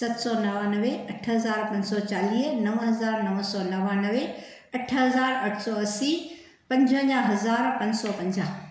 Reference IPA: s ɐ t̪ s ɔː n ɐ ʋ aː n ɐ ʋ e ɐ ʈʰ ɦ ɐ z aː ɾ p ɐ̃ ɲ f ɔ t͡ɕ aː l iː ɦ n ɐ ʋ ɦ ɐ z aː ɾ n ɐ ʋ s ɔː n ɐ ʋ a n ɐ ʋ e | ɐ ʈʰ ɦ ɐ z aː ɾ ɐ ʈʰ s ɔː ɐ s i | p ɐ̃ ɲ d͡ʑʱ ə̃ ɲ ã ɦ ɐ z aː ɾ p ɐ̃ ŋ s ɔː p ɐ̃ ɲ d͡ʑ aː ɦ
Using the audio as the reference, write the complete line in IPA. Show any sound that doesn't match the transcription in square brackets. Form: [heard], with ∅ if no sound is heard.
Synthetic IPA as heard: s ɐ t̪ s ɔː n ɐ ʋ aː n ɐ ʋ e ɐ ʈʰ ɦ ɐ z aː ɾ p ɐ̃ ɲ [s] ɔ t͡ɕ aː l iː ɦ n ɐ ʋ ɦ ɐ z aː ɾ n ɐ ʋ s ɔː n ɐ ʋ a n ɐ ʋ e | ɐ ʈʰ ɦ ɐ z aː ɾ ɐ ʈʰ s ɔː ɐ s i | p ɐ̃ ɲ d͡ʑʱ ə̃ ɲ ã ɦ ɐ z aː ɾ p ɐ̃ [ɲ] s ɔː p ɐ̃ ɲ d͡ʑ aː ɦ